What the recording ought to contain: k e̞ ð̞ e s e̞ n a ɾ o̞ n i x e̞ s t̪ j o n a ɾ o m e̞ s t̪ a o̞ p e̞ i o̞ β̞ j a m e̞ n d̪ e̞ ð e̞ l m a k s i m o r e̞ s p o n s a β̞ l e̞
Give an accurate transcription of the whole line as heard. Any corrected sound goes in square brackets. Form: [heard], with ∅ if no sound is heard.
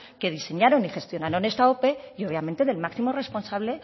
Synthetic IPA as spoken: k e̞ ð̞ [i] s e̞ [ɲ] a ɾ o̞ n i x e̞ s t̪ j o n a ɾ o [n] e̞ s t̪ a o̞ p e̞ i o̞ β̞ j a m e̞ n [t̪] e̞ ð e̞ l m a k s i m o r e̞ s p o n s a β̞ l e̞